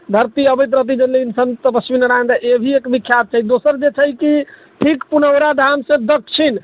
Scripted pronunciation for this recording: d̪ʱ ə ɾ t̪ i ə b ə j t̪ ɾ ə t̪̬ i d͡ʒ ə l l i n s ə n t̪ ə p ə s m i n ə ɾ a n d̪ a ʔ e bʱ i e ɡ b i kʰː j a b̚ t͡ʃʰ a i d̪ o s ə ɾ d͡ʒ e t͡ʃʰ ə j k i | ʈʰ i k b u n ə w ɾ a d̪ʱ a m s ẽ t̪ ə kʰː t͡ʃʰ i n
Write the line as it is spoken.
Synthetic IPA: d̪ʱ ə ɾ t̪ i ə b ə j t̪ ɾ ə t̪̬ i d͡ʒ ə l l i n s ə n t̪ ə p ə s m i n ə ɾ a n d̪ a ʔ e bʱ i e k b i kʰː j a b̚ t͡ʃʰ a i d̪ o s ə ɾ d͡ʒ e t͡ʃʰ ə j k i | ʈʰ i k p u n ə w ɾ a d̪ʱ a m s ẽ d̪ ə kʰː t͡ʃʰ i n